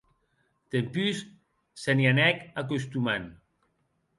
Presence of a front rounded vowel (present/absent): present